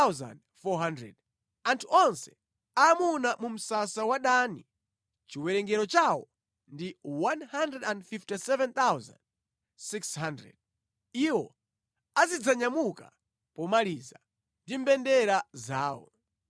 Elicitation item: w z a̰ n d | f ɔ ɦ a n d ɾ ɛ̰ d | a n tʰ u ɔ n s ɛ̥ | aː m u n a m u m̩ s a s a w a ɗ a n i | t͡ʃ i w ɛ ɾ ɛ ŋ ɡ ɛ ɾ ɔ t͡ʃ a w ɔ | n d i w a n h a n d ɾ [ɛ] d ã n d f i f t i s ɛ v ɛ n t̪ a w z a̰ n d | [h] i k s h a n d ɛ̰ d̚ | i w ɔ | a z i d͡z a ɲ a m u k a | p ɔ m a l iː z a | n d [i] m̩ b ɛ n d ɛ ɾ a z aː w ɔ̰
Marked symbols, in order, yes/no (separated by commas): yes, no, yes